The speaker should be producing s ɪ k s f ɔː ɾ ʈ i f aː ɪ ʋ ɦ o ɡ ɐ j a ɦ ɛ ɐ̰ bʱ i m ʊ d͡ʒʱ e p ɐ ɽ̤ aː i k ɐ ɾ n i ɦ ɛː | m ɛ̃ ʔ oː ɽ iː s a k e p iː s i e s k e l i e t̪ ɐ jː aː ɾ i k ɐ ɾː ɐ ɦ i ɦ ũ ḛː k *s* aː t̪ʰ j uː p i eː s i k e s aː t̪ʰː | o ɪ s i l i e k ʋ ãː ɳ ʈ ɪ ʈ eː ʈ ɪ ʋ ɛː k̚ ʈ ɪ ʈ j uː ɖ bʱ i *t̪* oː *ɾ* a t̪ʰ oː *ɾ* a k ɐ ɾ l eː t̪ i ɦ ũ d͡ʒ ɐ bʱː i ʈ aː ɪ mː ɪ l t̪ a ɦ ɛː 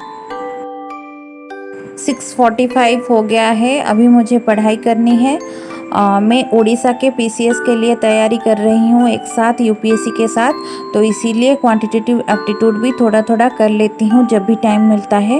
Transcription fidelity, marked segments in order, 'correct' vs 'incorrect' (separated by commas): correct, incorrect, incorrect, incorrect